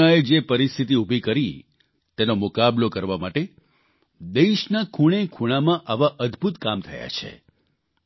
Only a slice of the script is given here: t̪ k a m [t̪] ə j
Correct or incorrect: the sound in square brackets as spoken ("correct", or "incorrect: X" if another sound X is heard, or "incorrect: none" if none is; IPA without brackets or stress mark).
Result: incorrect: t̪ʰ